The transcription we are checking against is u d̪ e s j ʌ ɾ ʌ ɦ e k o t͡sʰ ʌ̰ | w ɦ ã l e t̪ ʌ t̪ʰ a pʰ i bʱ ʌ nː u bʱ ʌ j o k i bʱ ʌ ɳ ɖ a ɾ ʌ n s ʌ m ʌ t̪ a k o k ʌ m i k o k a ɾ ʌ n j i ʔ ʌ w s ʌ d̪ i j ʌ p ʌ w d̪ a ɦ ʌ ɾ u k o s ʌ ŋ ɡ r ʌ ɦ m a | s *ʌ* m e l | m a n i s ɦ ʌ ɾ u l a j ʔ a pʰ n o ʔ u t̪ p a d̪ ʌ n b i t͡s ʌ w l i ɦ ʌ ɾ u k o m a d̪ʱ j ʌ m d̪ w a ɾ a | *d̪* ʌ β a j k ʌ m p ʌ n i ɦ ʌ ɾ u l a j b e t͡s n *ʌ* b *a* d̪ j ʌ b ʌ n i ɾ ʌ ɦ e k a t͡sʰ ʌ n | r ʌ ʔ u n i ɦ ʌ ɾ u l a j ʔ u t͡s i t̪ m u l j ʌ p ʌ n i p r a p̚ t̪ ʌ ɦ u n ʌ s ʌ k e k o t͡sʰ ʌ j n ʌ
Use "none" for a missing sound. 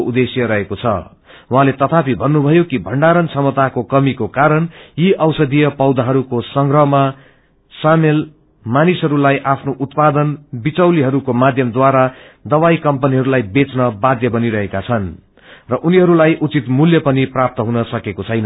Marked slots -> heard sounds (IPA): a, d̪, ʌ, a

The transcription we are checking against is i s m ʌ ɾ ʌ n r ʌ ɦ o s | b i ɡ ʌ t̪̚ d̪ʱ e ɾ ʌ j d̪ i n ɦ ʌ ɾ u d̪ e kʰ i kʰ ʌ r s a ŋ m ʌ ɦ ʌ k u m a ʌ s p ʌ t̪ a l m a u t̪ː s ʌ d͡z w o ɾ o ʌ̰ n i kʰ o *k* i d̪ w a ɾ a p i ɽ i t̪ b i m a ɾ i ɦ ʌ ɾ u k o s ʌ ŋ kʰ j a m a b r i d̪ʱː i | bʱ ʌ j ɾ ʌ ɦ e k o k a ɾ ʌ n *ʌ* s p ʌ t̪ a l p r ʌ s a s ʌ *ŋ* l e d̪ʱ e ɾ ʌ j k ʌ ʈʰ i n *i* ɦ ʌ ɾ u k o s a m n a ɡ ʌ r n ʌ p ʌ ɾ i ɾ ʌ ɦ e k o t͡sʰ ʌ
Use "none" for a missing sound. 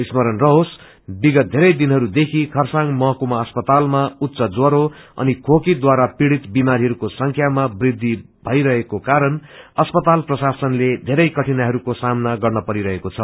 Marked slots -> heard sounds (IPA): k, ʌ, n, a

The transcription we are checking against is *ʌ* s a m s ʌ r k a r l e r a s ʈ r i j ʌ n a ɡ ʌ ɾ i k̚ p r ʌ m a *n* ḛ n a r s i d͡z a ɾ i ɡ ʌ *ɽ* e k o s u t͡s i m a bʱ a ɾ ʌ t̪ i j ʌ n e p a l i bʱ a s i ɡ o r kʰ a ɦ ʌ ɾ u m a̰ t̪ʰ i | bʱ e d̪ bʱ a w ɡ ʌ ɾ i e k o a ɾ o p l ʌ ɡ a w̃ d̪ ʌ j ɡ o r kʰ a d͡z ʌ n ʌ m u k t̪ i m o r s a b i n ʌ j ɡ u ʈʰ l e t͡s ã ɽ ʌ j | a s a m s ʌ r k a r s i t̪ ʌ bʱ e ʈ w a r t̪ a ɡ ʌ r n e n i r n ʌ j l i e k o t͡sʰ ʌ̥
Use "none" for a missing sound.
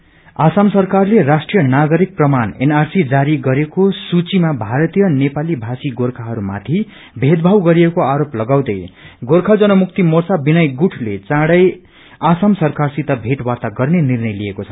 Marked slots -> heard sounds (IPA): a, n, ɾ

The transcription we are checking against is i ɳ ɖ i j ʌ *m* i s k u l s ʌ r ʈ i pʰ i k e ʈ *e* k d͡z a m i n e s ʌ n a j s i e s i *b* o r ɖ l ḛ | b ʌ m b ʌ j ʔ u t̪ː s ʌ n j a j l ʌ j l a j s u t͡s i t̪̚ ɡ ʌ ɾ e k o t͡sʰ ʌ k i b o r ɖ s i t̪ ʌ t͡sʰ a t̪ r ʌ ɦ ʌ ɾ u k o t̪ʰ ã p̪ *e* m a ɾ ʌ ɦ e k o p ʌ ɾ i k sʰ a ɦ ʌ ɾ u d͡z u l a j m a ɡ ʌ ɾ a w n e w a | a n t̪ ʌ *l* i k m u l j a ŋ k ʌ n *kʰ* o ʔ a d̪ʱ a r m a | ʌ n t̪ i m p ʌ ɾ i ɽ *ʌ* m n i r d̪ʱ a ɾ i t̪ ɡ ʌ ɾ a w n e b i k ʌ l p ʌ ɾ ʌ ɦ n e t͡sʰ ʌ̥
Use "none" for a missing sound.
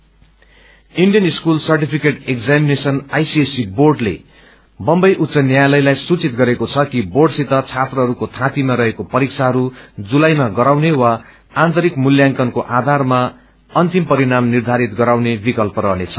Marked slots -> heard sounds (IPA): n, e, b, i, ɾ, k, a

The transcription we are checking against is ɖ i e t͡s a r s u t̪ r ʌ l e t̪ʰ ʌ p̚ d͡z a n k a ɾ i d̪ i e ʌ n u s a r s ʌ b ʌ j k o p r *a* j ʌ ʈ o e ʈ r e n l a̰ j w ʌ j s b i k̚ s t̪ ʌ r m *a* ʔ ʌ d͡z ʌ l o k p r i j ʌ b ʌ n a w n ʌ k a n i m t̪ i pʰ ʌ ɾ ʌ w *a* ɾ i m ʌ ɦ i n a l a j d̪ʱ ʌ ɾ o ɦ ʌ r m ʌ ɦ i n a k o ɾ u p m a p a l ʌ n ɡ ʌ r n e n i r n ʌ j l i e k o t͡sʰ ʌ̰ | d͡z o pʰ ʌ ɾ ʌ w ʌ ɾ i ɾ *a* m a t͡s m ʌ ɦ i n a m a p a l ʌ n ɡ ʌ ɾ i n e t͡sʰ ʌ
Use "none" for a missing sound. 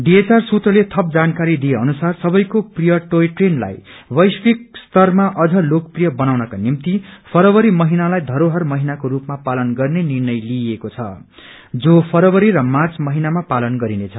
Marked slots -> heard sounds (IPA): i, a, ʌ, ʌ

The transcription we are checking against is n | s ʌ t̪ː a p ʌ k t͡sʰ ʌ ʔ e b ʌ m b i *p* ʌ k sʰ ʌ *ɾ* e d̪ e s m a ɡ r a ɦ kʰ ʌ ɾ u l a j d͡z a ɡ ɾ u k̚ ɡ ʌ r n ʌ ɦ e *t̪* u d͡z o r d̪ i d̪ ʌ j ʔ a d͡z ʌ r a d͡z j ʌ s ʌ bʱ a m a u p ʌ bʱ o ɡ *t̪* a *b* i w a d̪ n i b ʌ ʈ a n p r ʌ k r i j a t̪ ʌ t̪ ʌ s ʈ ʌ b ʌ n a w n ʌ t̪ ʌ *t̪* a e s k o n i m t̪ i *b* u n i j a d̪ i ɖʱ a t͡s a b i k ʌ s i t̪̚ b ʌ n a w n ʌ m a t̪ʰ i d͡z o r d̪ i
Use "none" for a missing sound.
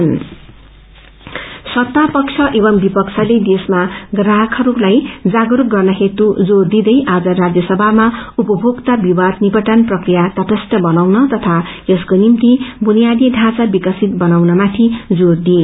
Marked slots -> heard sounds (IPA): p, l, t̪, t̪, b, t̪ʰ, b

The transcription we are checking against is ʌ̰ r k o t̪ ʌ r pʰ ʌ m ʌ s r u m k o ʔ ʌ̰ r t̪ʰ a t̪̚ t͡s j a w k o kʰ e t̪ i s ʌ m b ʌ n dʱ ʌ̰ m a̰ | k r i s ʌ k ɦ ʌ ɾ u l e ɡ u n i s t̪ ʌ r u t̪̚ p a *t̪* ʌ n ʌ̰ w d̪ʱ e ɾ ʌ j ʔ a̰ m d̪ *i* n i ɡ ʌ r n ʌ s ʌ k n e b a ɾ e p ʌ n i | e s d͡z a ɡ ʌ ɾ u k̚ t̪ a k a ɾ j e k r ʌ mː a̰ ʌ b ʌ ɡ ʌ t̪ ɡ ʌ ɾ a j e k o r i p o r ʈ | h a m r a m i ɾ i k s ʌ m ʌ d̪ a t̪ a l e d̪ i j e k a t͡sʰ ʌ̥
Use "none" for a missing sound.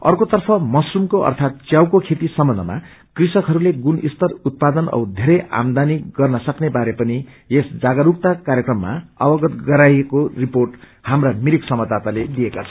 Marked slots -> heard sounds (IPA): d̪, a

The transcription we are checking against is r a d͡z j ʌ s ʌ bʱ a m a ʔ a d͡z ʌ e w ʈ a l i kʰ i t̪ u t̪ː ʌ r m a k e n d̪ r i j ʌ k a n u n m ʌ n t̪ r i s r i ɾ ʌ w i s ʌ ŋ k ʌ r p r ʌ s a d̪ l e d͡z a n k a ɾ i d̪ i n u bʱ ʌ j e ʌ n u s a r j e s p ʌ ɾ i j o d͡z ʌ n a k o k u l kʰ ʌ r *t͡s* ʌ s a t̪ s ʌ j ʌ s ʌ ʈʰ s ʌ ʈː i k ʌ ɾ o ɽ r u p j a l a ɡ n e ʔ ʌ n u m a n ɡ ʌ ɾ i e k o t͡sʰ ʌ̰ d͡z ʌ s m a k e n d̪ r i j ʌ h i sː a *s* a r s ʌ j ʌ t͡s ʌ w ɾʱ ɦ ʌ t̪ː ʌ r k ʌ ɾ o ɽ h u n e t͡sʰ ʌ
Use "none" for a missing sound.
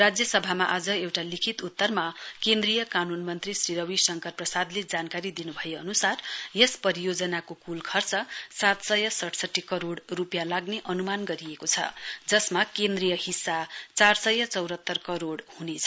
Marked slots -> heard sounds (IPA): t͡s, t͡s

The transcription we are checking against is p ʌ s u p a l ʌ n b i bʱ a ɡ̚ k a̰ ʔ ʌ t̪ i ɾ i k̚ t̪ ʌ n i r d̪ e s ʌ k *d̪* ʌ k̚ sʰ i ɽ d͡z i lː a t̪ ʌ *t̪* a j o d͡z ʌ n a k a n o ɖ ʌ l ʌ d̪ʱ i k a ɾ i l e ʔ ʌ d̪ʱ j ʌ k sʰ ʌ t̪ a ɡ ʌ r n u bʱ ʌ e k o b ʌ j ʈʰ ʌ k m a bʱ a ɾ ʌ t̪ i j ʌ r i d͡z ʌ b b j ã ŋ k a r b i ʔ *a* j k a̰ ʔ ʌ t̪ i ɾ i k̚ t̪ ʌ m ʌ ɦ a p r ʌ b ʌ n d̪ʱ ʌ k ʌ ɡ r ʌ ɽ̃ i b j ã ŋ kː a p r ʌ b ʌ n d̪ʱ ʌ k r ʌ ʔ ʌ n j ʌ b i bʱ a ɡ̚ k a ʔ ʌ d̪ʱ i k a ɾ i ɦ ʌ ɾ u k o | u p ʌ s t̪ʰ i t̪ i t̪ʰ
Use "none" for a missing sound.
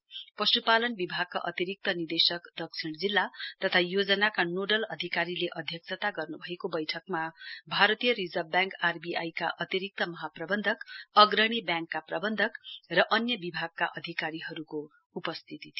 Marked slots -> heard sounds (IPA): d̪, t̪ʰ, a

